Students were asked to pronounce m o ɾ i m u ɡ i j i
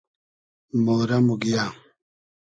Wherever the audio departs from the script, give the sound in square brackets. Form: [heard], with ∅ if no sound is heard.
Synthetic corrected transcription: m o ɾ [a] m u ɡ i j [a]